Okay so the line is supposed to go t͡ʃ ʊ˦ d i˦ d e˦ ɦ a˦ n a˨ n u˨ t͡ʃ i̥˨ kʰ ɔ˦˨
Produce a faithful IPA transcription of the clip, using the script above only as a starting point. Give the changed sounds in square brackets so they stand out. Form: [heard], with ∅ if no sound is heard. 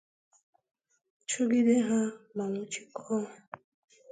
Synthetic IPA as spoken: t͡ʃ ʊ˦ [ɡ] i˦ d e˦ ɦ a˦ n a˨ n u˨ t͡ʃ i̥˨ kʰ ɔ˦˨